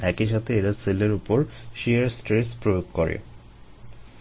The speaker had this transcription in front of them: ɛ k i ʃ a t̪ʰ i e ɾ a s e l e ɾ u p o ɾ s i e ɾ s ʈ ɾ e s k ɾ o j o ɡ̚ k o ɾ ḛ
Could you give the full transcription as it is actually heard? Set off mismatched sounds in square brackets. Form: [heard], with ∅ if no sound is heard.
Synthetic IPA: ɛ k i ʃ a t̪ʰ [e] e ɾ a s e l e ɾ u p o ɾ [ʃ] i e ɾ s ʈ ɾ e s [p] ɾ o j o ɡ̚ k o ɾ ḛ